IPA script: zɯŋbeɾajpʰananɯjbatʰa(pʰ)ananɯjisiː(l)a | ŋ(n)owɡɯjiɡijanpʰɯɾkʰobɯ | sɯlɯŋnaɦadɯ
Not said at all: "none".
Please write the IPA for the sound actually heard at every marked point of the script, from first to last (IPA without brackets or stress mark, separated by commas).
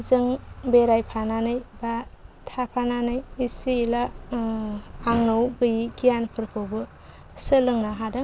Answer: pʰ, l, n